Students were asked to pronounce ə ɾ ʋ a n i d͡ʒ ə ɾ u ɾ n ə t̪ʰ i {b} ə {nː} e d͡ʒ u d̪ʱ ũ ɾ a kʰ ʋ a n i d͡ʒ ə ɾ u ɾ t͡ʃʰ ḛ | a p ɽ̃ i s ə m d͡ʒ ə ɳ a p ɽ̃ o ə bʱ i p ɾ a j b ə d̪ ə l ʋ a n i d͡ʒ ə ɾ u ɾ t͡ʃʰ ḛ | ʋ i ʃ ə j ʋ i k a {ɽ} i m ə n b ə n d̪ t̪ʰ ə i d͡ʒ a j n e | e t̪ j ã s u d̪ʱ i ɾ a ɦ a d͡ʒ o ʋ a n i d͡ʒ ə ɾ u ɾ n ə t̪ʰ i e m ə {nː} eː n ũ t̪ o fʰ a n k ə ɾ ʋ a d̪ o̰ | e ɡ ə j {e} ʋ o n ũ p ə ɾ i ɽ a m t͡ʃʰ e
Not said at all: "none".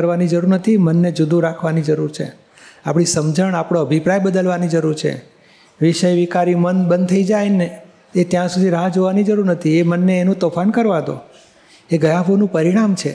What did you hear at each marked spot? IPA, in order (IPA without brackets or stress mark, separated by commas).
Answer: m, nː, ɾ, nː, a